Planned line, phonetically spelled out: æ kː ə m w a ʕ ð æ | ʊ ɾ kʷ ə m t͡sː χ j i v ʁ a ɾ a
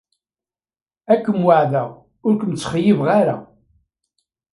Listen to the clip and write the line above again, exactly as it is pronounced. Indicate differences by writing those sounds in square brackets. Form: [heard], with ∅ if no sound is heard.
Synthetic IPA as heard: æ kː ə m w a ʕ ð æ | ʊ ɾ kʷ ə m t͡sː χ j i v ʁ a ɾ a